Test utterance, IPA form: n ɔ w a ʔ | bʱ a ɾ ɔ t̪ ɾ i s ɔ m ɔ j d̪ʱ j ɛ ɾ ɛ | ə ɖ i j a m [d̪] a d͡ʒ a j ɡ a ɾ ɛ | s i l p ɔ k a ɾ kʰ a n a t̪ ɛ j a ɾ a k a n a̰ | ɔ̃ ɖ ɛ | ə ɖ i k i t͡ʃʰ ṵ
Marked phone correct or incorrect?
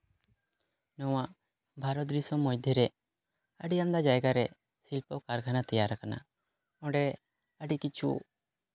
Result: correct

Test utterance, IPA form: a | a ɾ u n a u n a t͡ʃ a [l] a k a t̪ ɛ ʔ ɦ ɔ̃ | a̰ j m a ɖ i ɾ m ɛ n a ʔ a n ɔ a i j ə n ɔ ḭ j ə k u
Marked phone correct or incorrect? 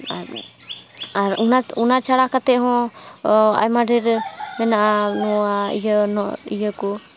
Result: incorrect: ɽ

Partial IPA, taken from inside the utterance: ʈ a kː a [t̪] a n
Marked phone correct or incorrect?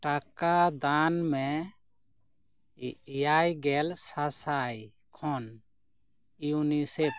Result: incorrect: d̪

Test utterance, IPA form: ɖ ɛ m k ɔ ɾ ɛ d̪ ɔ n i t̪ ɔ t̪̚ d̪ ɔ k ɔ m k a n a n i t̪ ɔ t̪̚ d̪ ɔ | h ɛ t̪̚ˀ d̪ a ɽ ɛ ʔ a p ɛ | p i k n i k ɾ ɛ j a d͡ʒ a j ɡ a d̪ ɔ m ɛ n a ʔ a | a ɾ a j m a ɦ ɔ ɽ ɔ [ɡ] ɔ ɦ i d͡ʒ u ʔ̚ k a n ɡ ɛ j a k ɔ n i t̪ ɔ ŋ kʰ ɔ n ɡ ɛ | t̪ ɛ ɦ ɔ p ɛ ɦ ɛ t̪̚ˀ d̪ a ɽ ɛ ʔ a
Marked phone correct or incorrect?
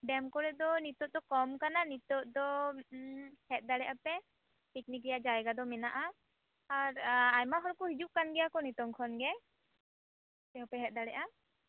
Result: incorrect: k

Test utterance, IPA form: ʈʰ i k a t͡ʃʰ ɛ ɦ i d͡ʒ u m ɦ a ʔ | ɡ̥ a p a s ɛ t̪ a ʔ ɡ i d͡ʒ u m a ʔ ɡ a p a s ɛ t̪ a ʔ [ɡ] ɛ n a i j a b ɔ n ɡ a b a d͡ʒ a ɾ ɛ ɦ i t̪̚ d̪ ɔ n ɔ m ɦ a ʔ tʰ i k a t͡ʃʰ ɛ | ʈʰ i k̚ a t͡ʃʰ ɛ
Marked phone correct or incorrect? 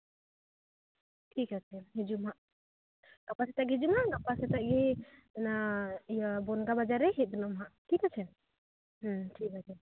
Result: correct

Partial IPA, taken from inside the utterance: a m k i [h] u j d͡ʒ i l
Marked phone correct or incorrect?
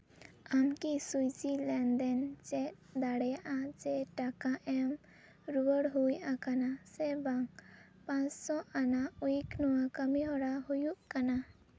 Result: incorrect: s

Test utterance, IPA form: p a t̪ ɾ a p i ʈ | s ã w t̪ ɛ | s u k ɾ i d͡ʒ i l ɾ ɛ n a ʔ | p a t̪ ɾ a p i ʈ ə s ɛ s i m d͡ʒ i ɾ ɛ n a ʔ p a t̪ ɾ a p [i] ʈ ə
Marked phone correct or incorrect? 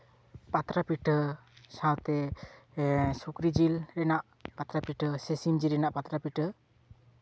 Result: correct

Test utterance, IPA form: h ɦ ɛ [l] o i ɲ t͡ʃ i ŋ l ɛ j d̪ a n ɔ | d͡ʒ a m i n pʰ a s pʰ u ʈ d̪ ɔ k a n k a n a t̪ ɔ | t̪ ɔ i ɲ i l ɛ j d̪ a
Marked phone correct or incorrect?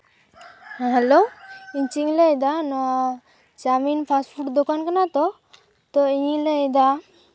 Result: correct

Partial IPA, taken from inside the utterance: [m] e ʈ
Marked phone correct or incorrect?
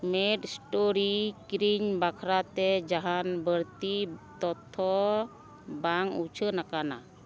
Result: correct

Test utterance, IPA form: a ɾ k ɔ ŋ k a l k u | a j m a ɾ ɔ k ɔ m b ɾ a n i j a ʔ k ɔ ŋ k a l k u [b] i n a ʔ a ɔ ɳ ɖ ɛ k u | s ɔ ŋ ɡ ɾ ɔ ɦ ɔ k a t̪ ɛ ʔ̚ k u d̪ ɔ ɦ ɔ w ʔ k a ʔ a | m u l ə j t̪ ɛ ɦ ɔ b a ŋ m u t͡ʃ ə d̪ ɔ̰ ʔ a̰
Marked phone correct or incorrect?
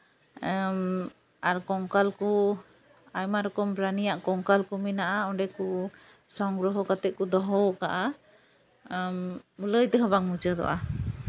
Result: incorrect: m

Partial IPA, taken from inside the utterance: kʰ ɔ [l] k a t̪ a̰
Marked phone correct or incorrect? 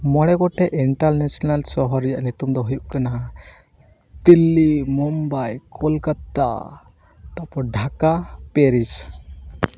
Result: correct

